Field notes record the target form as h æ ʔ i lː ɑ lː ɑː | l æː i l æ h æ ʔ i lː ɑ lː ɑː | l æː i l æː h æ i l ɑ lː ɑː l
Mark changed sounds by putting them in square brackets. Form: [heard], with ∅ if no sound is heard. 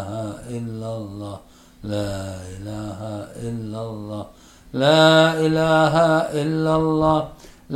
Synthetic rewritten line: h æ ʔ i lː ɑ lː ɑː | l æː i l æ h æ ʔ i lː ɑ lː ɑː | l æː i l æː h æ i [lː] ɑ lː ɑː l